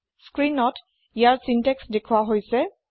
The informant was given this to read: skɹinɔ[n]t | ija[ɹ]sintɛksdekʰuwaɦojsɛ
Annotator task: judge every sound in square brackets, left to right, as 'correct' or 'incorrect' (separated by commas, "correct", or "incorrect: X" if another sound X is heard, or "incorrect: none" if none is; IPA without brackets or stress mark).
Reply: incorrect: none, correct